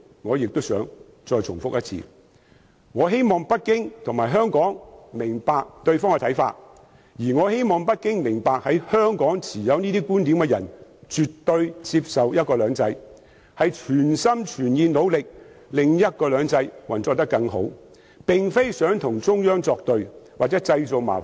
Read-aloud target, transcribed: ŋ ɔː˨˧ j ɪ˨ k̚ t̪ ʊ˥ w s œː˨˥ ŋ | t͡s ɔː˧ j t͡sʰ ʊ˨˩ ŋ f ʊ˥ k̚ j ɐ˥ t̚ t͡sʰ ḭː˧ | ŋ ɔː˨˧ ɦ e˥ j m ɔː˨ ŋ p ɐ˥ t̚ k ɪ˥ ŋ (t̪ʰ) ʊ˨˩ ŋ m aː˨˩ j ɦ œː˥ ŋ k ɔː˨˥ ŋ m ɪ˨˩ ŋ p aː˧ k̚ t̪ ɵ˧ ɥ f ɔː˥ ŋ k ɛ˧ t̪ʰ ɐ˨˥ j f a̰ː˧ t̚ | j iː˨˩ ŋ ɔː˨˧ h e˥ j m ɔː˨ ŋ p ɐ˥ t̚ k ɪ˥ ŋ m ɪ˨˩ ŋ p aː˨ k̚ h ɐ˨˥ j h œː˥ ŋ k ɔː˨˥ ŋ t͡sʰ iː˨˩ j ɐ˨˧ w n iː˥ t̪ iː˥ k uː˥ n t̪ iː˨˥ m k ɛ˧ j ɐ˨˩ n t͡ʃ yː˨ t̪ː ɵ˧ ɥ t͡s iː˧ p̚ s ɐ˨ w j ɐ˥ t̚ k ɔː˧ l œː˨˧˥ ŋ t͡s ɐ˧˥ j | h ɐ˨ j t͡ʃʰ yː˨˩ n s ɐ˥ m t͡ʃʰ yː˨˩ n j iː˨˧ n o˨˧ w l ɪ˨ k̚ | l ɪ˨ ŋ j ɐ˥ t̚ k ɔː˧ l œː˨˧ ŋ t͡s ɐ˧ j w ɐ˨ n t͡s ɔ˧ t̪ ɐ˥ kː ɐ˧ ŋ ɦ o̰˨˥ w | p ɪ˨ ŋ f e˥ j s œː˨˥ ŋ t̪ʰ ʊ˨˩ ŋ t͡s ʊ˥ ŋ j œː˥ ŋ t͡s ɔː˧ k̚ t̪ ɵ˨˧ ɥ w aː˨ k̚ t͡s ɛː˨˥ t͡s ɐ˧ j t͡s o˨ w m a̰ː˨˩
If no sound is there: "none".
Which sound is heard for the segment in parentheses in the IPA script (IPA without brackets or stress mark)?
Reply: t̪ʰ